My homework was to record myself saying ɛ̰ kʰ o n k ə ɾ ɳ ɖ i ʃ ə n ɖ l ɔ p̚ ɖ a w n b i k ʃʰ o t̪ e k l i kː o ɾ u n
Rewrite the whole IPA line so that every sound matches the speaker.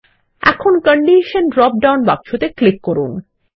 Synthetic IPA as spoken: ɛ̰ kʰ o n k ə ɳ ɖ i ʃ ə n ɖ ɾ ɔ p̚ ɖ a w n b a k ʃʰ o t̪ e k l i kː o ɾ u n

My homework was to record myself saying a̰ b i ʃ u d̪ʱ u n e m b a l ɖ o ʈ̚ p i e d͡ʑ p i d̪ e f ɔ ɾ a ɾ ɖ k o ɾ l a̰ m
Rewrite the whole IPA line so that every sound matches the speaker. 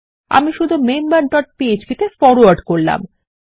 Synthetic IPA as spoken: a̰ m i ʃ u d̪ʱ u m e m b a ɾ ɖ ɔ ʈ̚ p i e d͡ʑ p i t̪ e f ɔ ɾ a ɾ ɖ k o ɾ l a̰ m

